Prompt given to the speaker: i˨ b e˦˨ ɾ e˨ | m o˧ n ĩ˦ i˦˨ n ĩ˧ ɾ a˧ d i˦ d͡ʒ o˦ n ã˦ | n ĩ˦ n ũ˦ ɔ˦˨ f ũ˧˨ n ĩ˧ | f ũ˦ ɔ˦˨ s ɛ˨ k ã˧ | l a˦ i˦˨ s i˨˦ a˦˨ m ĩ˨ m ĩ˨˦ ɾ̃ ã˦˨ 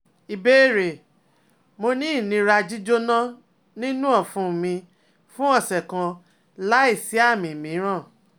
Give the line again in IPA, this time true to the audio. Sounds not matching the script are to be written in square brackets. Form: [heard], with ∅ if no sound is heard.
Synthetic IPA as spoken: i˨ b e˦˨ ɾ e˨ | m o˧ n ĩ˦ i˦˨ n ĩ˧ ɾ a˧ [d͡ʒ] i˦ d͡ʒ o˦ n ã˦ | n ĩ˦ n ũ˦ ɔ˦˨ f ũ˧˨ [m] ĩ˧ | f ũ˦ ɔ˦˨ s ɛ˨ k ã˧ | l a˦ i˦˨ s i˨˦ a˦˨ m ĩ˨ m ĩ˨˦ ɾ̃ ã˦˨